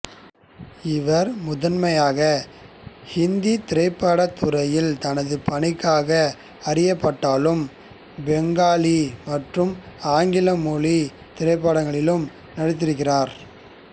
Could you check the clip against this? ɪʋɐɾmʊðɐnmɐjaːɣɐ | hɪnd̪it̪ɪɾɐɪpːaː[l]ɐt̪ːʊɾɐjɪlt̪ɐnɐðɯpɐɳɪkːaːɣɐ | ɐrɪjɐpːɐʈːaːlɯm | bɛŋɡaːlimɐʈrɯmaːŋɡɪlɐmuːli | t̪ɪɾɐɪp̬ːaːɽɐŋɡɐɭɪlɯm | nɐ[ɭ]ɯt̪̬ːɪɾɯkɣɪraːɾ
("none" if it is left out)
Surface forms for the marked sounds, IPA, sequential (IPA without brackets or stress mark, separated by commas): ɽ, ɽ